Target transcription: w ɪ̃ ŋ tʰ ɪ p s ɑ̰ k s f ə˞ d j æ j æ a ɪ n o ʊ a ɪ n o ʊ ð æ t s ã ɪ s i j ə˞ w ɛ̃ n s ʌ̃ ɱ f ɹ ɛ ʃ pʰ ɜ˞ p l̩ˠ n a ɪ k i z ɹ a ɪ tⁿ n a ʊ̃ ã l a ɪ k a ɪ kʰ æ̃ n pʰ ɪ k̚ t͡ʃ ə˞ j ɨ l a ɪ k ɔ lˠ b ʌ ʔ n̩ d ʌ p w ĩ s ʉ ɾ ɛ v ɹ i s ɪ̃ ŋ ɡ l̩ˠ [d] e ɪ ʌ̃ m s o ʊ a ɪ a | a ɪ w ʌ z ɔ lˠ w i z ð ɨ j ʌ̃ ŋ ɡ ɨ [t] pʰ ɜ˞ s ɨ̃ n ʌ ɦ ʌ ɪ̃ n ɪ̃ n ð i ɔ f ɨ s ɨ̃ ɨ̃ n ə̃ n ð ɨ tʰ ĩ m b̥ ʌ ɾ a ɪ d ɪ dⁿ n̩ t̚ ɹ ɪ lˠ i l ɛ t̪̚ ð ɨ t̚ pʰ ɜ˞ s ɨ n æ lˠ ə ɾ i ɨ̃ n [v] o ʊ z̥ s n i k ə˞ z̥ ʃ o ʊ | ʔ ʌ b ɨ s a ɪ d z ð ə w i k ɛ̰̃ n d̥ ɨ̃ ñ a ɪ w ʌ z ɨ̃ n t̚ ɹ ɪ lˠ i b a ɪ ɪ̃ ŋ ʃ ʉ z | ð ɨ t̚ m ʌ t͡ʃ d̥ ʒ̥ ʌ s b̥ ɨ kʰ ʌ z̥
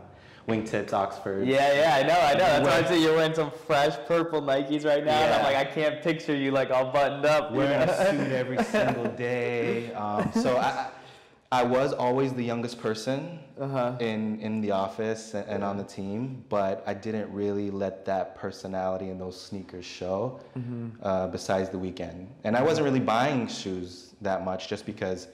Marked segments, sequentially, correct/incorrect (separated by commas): correct, incorrect, incorrect